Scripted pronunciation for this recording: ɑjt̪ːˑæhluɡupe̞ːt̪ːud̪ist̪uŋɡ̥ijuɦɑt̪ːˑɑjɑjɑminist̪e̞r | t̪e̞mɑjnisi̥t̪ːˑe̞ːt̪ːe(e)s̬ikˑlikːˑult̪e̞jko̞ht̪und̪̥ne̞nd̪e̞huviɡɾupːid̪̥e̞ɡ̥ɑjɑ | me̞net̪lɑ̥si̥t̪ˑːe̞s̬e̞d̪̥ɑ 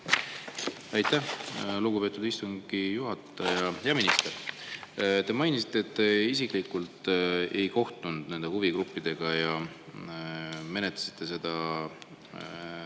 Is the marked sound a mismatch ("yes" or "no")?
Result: yes